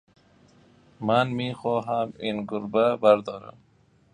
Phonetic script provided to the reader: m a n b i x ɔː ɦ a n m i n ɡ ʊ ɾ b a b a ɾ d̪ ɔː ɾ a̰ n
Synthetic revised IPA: m a n m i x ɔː ɦ a m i n ɡ ʊ ɾ b a b a ɾ d̪ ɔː ɾ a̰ m